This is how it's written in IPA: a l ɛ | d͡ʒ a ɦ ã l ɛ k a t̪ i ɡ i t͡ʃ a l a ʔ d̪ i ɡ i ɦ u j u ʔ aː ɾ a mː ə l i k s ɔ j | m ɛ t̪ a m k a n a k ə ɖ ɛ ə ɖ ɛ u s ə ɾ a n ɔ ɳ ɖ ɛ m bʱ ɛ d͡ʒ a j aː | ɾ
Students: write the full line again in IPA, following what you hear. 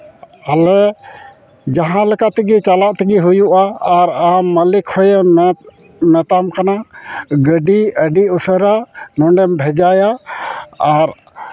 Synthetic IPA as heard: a l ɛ | d͡ʒ a ɦ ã l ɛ k a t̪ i ɡ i t͡ʃ a l a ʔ t̪ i ɡ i ɦ u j u ʔ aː ɾ a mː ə l i k h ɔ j | m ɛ t̪ a m k a n a ɡ ə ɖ i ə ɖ i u s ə ɾ a n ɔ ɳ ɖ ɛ m bʱ ɛ d͡ʒ a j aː | ɾ